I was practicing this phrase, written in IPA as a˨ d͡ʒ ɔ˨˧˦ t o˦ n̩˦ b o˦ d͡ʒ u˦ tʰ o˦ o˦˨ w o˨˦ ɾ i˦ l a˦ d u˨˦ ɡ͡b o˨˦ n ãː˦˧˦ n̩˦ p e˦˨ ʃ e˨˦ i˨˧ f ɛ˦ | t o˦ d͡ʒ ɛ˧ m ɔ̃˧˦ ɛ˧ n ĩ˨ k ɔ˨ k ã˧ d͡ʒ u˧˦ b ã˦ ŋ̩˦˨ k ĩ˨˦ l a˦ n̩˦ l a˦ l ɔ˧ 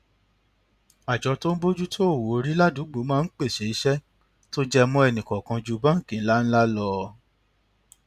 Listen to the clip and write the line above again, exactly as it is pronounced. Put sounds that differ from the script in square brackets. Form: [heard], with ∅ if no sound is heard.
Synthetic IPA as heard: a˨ d͡ʒ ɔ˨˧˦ t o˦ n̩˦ b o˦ d͡ʒ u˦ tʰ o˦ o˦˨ w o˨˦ ɾ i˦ l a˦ d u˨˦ ɡ͡b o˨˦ [m] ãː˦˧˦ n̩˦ [k͡p] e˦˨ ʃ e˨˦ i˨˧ [ʃ] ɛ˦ | t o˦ d͡ʒ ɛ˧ m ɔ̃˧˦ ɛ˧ n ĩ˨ k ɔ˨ k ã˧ d͡ʒ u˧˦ b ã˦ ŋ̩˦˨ k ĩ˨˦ l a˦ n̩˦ l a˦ l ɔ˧

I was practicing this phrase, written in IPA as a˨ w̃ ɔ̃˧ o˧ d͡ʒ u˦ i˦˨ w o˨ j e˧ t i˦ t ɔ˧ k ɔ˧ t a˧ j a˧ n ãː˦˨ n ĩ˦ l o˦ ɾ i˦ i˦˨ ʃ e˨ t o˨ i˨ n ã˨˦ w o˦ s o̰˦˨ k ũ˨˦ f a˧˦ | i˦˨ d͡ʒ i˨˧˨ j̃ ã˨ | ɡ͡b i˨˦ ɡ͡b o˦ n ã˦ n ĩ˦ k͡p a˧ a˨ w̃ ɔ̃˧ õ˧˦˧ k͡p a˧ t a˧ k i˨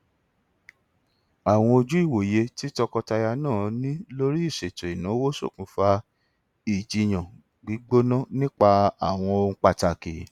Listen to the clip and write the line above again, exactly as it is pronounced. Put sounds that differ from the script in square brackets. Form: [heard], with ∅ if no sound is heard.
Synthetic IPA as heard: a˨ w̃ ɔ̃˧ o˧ d͡ʒ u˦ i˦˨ w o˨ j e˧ t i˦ t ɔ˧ k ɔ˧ t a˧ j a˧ n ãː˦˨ n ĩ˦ l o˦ ɾ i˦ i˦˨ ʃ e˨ t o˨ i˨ n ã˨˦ w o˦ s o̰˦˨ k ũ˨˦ f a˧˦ | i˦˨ d͡ʒ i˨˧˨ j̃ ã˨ | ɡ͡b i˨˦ ɡ͡b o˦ n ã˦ n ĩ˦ k͡p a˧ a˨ w̃ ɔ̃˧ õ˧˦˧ k͡p a˧ t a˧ k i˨

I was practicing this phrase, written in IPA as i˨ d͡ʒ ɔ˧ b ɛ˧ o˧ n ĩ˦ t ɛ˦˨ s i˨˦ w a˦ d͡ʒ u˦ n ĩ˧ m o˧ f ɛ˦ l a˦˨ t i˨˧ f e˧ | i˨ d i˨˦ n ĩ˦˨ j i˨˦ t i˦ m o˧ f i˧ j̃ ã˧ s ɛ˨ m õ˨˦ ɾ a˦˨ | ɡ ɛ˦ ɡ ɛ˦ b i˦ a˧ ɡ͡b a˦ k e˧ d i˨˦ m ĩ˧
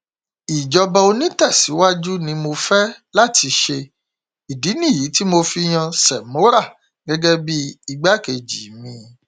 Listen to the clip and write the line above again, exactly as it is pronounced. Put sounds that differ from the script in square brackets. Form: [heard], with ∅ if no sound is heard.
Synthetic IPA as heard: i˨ d͡ʒ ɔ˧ b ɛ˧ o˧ n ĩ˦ t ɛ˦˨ s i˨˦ w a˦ d͡ʒ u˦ n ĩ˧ m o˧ f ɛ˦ l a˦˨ t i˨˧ [ʃ] e˧ | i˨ d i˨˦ n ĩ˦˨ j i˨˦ t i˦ m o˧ f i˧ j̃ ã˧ s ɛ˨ m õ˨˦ ɾ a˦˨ | ɡ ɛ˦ ɡ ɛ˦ b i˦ [i˧] ɡ͡b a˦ k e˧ [d͡ʒ] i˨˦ m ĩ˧

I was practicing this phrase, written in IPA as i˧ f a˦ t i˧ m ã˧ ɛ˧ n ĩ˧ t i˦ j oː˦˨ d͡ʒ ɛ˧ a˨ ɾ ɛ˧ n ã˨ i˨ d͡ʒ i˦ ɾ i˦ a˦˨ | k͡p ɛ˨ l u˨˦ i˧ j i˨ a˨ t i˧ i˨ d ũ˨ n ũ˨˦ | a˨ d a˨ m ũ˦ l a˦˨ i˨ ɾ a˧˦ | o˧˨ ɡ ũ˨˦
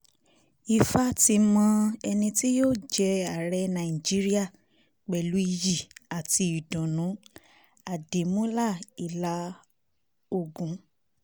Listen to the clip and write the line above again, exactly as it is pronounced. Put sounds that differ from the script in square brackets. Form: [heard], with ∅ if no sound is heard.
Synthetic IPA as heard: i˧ f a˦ t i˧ m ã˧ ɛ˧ n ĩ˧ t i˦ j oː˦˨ d͡ʒ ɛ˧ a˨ ɾ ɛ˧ n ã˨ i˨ d͡ʒ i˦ ɾ i˦ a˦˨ | k͡p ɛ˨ l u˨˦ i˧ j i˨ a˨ t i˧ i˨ d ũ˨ n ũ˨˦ | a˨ d [e˨] m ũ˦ l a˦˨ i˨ [l] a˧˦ | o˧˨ ɡ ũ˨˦

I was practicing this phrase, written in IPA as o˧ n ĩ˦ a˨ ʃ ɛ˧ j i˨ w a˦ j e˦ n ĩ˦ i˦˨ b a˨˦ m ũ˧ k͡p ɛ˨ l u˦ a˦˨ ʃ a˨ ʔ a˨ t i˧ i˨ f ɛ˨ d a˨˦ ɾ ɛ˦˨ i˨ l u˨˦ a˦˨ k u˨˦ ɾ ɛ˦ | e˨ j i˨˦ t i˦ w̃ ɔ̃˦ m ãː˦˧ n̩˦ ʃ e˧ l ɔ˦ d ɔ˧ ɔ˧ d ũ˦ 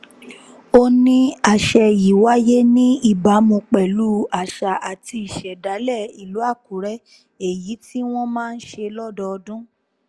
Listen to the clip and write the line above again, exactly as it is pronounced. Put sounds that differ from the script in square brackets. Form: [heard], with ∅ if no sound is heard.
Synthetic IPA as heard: o˧ n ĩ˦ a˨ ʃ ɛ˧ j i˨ w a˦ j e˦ n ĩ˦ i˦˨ b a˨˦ m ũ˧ k͡p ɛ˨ l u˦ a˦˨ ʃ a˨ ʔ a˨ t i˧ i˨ [ʃ] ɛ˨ d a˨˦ [l] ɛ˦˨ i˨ l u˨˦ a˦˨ k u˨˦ ɾ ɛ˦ | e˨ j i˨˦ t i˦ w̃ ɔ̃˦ m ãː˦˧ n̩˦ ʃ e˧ l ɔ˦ d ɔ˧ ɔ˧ d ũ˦

